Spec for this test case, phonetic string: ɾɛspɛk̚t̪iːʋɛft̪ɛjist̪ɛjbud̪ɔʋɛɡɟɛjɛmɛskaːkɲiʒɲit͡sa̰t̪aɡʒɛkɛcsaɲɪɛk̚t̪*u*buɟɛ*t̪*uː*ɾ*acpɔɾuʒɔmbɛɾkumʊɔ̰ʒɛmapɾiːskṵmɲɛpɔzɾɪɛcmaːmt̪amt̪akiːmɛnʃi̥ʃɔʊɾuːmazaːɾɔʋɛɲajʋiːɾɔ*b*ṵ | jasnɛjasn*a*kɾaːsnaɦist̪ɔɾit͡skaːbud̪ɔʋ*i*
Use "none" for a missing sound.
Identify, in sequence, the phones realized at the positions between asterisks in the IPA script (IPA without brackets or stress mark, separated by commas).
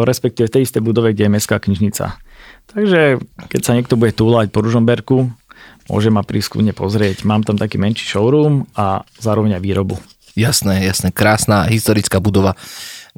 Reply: ɔ, t̪, l, b, ɛ, a